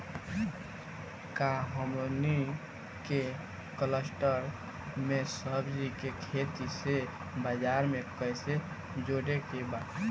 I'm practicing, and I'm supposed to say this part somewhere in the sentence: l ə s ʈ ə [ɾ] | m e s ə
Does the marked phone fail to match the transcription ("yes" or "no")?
no